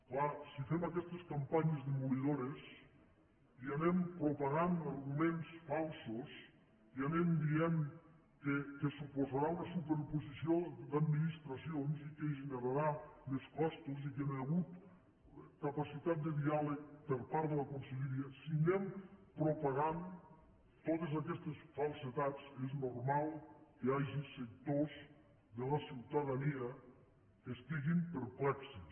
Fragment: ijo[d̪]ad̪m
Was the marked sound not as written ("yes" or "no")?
no